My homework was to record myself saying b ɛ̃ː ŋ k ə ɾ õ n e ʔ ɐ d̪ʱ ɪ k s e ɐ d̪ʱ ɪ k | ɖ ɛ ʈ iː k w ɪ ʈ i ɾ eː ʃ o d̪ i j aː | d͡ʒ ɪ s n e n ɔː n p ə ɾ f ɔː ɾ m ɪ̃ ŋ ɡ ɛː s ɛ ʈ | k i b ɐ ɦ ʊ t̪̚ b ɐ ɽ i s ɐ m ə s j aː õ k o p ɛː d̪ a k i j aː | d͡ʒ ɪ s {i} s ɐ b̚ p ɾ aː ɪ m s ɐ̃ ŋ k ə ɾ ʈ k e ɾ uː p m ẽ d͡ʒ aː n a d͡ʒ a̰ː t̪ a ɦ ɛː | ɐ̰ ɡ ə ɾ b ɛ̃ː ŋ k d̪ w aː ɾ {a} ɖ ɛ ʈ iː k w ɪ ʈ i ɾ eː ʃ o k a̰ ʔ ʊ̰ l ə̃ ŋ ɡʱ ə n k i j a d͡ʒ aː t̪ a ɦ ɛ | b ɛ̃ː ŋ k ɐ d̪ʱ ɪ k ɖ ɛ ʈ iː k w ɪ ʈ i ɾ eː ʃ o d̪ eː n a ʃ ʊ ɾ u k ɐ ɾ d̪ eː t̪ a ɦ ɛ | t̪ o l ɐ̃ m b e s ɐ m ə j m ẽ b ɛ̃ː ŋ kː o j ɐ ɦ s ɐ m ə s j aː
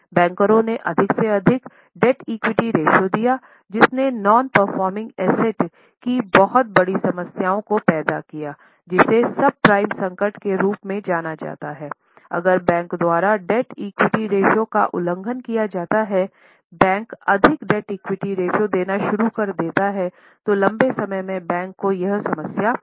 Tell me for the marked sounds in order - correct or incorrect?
incorrect: e, correct

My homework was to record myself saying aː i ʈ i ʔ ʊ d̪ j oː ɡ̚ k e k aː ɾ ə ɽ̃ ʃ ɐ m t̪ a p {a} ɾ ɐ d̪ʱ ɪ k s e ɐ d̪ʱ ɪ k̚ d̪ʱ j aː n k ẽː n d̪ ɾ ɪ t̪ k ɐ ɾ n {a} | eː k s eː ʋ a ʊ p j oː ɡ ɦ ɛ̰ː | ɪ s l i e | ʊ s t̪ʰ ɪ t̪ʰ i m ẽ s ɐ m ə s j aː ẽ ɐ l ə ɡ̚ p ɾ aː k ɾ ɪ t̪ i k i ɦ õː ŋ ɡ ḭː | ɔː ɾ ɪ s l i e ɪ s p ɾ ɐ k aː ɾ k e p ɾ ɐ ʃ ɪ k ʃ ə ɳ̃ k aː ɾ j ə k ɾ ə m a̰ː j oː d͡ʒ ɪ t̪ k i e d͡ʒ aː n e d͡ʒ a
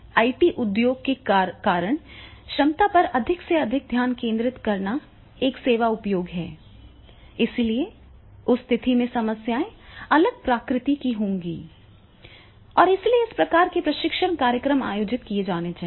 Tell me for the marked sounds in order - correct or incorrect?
incorrect: ɐ, correct

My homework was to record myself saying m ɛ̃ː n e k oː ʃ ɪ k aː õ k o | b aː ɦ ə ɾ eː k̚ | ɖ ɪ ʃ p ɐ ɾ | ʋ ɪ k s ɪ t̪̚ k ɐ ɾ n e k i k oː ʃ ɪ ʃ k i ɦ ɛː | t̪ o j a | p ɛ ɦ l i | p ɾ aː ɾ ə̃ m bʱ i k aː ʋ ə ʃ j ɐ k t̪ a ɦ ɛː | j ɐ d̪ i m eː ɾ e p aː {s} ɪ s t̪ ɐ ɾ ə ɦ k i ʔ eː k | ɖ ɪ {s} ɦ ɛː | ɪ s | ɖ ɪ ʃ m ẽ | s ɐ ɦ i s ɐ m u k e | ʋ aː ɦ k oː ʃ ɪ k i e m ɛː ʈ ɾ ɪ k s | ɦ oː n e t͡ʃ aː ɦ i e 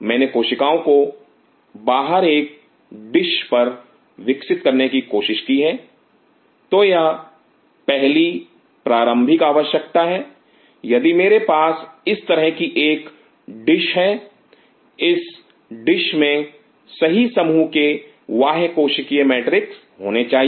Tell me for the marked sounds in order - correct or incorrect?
correct, incorrect: ʃ

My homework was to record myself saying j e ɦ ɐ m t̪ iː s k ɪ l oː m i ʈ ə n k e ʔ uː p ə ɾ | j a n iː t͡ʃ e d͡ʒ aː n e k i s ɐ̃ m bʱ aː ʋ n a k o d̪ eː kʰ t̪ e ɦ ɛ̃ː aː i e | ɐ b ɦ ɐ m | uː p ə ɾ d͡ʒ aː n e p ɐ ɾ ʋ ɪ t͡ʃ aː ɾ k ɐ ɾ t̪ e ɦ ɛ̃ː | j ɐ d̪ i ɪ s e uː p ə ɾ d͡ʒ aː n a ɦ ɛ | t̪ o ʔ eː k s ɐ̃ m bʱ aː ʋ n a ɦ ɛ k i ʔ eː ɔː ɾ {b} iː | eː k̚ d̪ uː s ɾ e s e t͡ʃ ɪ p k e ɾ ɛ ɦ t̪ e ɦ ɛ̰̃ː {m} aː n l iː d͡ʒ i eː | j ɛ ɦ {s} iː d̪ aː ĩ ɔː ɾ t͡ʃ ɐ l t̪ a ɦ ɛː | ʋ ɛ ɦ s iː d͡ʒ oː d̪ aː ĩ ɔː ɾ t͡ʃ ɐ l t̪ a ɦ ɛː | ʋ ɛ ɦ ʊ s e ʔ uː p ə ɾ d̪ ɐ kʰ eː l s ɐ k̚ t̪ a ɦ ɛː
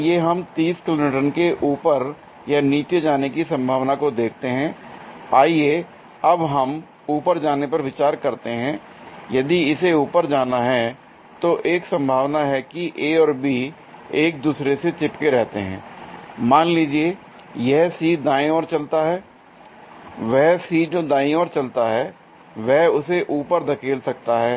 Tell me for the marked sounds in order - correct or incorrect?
correct, correct, correct

